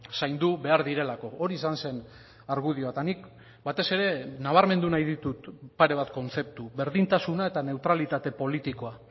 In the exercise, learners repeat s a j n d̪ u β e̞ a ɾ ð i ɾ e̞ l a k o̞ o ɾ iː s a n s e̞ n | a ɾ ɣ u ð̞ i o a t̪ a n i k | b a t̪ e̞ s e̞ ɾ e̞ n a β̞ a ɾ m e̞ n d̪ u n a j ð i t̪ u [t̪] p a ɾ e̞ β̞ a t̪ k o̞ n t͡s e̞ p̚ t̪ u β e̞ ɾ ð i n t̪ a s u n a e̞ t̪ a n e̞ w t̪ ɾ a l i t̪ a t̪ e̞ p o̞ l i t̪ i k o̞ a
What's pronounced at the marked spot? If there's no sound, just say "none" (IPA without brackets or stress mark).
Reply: t̪